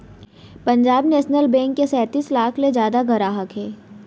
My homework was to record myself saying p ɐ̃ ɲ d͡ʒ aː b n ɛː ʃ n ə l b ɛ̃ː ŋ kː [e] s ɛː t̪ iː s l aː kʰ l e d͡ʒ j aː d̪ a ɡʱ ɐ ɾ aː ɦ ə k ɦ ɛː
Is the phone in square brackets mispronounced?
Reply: no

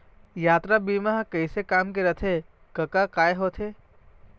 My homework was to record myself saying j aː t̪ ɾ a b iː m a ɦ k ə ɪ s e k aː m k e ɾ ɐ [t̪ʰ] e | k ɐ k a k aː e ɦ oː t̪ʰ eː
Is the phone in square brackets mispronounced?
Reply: no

